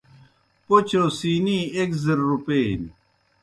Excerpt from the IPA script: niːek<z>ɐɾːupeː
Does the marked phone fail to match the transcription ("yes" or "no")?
no